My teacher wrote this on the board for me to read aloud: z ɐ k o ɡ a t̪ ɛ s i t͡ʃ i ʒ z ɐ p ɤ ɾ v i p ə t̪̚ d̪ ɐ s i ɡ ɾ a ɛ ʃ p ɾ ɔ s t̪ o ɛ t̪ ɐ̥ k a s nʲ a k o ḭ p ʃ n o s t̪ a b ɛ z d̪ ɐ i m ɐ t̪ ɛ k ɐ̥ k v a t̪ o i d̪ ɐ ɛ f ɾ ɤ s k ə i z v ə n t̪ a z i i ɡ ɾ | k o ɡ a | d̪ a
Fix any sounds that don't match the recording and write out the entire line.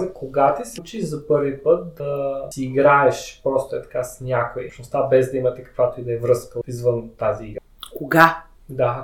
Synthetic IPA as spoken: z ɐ k o ɡ a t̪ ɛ s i t͡ʃ i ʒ z ɐ p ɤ ɾ v i p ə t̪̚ d̪ ɐ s iː ɡ ɾ a ɛ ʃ p ɾ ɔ s t̪ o ɛ t̪ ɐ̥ k a s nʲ a k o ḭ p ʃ n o s t̪ a b ɛ z d̪ ɐ i m ɐ t̪ ɛ k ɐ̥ k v a t̪ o i d̪ ɐ ɛ v ɾ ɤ s k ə i z v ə n t̪ a z i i ɡ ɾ | k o ɡ a | d̪ a